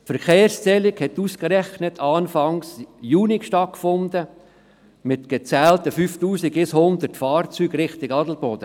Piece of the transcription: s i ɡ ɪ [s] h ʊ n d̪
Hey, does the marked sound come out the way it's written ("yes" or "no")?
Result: yes